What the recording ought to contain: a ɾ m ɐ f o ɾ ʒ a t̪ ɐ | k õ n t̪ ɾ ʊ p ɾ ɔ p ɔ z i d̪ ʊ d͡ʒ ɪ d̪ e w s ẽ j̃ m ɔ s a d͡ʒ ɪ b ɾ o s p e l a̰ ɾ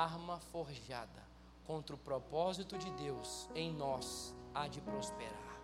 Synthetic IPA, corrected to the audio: a ɾ m ɐ f o ɾ ʒ a d̪ ɐ | k õ n t̪ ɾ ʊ p ɾ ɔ p ɔ z i t̪ ʊ d͡ʒ ɪ d̪ e w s ẽ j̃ n ɔ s a d͡ʒ ɪ p ɾ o s p e ɾ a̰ ɾ